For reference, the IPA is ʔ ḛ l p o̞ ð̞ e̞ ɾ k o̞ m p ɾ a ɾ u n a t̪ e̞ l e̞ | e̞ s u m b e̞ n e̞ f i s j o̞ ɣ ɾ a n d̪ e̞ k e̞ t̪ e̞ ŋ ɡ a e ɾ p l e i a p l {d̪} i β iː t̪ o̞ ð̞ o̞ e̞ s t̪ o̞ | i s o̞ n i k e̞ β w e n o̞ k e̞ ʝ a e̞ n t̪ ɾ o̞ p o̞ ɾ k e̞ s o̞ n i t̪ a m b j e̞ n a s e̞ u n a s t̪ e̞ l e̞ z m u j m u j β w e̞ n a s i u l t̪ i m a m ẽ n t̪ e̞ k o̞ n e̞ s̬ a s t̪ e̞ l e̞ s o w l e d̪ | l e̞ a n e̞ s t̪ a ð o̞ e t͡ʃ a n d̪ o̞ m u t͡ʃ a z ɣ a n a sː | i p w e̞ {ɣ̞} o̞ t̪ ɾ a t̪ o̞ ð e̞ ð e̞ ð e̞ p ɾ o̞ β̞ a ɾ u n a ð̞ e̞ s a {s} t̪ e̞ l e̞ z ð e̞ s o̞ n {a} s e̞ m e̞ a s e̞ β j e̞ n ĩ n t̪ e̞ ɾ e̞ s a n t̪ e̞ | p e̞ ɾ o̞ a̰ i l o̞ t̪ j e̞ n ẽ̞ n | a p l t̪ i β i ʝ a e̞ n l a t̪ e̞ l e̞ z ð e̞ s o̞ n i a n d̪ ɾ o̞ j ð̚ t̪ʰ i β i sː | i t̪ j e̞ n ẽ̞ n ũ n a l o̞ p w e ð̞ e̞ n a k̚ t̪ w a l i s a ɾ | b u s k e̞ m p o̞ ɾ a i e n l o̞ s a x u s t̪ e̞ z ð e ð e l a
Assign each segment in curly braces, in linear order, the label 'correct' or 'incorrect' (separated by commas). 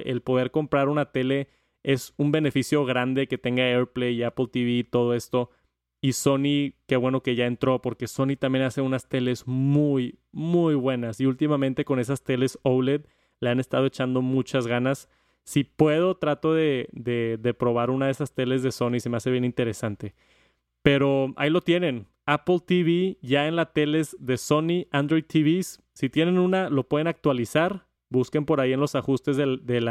incorrect, incorrect, correct, incorrect